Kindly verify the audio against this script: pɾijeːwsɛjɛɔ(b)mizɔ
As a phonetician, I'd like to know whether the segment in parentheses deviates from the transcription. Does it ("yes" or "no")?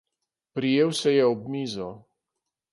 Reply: no